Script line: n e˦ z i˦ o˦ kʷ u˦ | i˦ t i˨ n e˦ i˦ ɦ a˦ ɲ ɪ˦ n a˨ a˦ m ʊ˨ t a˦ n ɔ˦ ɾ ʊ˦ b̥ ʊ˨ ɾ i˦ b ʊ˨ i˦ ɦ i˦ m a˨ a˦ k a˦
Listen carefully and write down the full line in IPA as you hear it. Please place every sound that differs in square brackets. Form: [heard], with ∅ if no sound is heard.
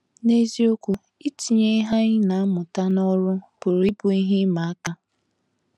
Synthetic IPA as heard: n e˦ z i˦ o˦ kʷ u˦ | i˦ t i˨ [ɲ] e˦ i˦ ɦ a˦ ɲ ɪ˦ n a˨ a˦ m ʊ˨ t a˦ n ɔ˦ ɾ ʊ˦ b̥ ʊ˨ ɾ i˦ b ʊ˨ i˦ ɦ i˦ m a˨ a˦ k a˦